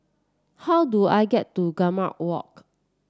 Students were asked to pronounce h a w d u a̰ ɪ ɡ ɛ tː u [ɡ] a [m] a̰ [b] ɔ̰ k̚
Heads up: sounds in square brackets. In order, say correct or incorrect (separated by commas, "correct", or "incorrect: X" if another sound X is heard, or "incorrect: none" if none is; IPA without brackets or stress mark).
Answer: correct, correct, incorrect: w